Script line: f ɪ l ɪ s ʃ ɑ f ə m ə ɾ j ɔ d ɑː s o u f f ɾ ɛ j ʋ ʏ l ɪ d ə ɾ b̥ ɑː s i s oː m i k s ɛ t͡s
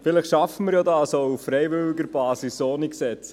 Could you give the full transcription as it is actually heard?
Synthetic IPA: f ɪ l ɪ χ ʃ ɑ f ə m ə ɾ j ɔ d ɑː s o u f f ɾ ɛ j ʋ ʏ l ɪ ɡ ə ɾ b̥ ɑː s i s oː n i k s ɛ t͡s

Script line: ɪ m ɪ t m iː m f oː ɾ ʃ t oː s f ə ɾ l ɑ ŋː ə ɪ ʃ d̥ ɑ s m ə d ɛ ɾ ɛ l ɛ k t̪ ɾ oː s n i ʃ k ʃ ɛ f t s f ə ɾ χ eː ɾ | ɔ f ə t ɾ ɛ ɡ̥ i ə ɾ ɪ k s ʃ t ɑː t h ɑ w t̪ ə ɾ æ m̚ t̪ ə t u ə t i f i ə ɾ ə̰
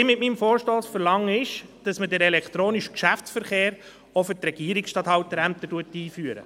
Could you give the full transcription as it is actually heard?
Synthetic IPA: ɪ m ɪ t m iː m f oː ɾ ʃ t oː s f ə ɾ l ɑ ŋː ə ɪ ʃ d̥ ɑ s m ə d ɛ ɾ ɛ l ɛ k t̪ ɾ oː n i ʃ k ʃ æ f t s f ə ɾ χ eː ɾ | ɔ f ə t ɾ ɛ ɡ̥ i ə ɾ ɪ k s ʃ t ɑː t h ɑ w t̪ ə ɾ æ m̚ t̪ ə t u ə t iː f y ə ɾ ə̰

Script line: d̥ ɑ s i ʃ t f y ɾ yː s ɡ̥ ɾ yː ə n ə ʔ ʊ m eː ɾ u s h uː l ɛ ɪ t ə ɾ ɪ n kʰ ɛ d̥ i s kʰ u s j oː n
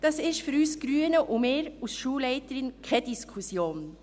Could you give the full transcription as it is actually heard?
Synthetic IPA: d̥ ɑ s ɪ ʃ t f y ɾ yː s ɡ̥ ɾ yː ə n ə ʔ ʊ m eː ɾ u s ʃ uː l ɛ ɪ t ə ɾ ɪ n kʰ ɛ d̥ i s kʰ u s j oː n

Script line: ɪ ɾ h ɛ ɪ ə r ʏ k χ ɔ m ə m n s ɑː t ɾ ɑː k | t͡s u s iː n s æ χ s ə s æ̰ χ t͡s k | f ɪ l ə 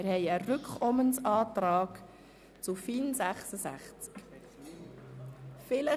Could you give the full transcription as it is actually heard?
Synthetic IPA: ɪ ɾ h ɛ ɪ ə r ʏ k χ ɔ m ə n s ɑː t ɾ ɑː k | t͡s u f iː n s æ χ s ə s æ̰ χ t͡s k | f ɪ l ə

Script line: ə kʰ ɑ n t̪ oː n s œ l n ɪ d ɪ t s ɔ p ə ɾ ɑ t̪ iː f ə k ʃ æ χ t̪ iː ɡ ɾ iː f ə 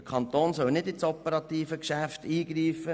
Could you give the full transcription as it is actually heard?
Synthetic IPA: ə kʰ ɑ n t̪ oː n s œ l n ɪ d ɪ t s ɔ p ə ɾ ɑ t̪ iː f ə k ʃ æ f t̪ iː ɡ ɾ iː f ə

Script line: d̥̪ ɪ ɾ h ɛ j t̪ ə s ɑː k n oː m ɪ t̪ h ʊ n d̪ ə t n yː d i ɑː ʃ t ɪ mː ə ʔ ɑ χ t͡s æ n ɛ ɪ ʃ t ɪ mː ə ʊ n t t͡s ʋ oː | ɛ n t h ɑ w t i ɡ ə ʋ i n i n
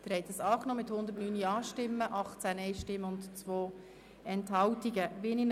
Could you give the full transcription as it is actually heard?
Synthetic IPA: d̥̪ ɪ ɾ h ɛ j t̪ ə s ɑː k n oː m ɪ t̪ h ʊ n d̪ ə t n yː n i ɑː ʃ t ɪ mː ə ʔ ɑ χ t͡s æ n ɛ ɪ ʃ t ɪ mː ə ʊ n t t͡s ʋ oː | ɛ n t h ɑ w t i ɡ ə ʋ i n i n

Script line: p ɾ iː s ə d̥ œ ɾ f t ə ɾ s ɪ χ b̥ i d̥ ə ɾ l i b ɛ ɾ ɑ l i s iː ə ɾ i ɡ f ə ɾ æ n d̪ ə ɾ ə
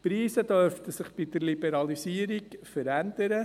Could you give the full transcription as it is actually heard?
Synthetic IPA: p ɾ iː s ə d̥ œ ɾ f t ə s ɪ χ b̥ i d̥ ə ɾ l i b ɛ ɾ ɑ l i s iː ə ɾ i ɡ f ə ɾ æ n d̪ ə ɾ ə

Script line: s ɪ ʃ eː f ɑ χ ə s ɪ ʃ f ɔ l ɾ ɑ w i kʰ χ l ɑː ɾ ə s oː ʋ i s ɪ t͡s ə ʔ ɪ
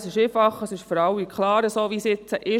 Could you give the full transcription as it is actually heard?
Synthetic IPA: s ɪ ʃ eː f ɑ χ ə s ɪ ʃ f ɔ ɾ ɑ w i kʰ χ l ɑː ɾ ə s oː ʋ i s ɪ t͡s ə ʔ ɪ

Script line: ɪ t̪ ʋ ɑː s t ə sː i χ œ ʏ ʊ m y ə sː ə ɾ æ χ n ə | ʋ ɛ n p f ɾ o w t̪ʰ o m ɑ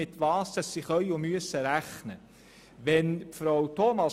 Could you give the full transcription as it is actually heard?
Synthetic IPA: ɪ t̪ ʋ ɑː s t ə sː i χ œ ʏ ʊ m y ə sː ə ɾ æ χ n ə | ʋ ɛ n p f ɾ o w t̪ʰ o m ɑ

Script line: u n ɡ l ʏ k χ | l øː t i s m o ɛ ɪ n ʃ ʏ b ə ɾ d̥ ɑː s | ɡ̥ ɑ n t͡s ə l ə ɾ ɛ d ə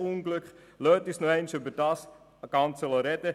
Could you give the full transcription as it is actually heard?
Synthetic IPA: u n ɡ l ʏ k χ | l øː t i s n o ɛ ɪ n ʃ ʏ b ə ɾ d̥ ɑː s | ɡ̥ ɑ n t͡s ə l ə ɾ ɛ d ə

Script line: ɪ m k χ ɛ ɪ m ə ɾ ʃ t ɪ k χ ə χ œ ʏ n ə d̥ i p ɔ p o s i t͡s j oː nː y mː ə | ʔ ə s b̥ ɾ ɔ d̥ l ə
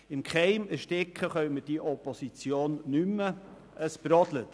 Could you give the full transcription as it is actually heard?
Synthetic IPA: ɪ m k χ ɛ ɪ m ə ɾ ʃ t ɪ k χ ə χ œ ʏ m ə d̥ i ʔ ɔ p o s i t͡s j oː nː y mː ə | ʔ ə s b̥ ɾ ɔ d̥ l ə

